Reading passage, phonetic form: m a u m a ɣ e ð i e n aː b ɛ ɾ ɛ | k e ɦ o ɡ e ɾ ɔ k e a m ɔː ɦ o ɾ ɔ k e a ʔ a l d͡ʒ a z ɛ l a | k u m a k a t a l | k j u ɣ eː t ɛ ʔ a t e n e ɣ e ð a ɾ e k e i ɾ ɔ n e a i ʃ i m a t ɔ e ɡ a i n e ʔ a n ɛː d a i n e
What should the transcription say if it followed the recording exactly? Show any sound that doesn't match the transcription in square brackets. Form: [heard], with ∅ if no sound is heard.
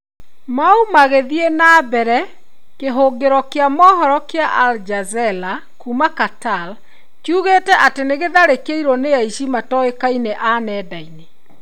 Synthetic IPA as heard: m a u m a ɣ e ð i e n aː b ɛ ɾ ɛ | k e ɦ o ɡ e ɾ ɔ k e a m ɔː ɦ [ɔ] ɾ ɔ k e a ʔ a l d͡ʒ a z ɛ l a | k u m a k a t a l | k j u ɣ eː t ɛ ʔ a t e n e ɣ e ð a ɾ e k e i ɾ ɔ n e a i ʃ i m a t ɔ e [k] a i n e ʔ a n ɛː d a i n e